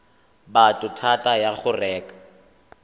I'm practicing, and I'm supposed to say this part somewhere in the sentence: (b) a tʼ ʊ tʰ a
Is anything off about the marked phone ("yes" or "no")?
no